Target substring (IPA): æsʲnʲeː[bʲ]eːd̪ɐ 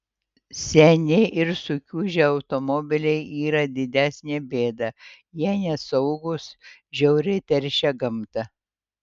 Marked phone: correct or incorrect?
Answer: correct